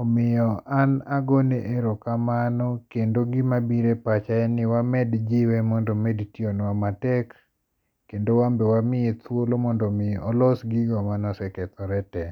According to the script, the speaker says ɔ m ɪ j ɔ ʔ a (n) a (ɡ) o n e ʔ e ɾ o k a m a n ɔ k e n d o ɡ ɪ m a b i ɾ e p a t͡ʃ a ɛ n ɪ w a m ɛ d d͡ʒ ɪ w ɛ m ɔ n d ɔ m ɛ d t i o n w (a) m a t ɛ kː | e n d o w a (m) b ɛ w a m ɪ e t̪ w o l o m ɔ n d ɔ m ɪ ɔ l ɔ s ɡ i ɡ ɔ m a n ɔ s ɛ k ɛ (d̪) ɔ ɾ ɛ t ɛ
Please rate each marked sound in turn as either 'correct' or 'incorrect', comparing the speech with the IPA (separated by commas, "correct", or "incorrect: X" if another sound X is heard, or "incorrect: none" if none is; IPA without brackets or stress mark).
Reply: correct, correct, correct, correct, incorrect: t̪